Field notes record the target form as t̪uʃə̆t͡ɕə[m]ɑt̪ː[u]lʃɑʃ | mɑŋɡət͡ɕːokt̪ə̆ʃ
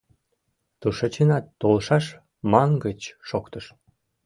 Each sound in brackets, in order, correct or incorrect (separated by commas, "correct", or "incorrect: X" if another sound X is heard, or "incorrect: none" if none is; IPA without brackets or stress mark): incorrect: n, incorrect: o